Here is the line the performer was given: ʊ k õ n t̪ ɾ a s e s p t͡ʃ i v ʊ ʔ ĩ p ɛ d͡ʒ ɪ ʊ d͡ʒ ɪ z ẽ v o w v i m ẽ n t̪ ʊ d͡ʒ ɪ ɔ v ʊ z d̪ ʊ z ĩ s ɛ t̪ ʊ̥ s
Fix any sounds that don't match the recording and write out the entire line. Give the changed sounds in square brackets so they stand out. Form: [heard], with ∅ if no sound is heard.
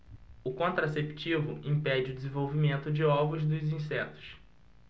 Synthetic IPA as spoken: ʊ k õ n t̪ ɾ a s e [∅] p t͡ʃ i v ʊ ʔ ĩ p ɛ d͡ʒ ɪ ʊ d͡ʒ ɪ z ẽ v o w v i m ẽ n t̪ ʊ d͡ʒ ɪ ɔ v ʊ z d̪ ʊ z ĩ s ɛ t̪ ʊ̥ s